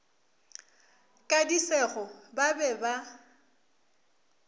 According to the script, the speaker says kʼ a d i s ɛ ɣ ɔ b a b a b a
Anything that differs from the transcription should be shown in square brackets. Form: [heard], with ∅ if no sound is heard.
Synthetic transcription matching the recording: kʼ a d i s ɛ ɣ ɔ b a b [ɛ] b a